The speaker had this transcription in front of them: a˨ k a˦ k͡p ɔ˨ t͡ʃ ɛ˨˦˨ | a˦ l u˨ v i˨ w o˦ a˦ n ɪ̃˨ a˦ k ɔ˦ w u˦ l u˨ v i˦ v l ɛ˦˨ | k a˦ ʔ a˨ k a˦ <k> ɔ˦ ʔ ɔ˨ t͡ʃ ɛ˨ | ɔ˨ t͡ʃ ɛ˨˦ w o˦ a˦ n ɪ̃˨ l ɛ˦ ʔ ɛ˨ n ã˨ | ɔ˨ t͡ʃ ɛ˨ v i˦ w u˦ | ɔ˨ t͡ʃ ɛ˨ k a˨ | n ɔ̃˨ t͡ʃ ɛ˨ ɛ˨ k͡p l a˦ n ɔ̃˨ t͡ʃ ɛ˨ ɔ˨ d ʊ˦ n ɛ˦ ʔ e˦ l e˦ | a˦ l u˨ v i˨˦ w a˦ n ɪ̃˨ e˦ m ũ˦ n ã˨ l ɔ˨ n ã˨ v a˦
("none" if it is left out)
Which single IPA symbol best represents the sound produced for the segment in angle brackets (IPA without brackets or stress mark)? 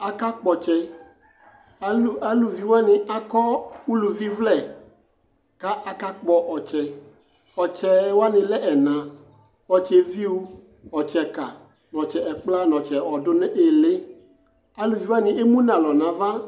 k͡p